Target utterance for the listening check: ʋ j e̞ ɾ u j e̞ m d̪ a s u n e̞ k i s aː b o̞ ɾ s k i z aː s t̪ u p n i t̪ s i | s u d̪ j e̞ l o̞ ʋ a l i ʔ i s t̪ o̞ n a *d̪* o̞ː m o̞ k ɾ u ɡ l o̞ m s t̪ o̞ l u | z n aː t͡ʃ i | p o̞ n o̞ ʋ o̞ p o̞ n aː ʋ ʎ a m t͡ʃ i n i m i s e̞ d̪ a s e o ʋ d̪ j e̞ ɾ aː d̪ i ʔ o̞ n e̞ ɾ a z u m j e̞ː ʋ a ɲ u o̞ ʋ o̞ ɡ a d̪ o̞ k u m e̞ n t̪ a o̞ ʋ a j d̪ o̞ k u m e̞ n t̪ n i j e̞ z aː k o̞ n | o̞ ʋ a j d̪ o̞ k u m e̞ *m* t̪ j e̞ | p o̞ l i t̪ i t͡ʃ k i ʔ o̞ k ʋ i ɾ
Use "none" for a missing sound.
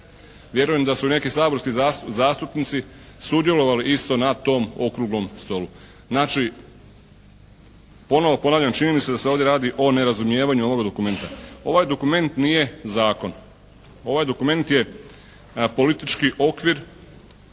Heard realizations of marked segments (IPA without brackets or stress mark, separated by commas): t̪, n